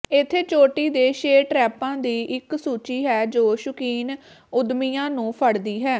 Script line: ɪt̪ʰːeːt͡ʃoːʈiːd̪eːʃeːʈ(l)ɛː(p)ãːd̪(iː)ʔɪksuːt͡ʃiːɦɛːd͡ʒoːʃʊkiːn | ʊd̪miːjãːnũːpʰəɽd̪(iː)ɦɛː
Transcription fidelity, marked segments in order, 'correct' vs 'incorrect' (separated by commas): incorrect, correct, correct, correct